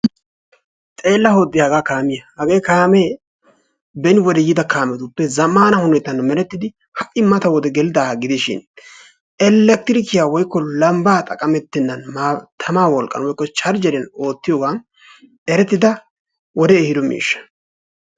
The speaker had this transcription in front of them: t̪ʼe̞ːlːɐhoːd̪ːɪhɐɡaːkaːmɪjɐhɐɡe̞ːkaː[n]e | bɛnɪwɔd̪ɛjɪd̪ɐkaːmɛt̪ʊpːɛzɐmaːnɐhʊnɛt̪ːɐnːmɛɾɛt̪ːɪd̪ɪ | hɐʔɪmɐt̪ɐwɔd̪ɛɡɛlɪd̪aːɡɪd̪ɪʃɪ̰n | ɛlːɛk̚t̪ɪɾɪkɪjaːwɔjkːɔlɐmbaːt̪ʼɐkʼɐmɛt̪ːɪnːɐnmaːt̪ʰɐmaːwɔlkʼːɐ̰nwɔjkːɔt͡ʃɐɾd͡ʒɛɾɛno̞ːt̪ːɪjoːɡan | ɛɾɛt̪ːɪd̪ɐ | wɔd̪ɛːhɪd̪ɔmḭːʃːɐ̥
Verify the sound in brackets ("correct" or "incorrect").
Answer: incorrect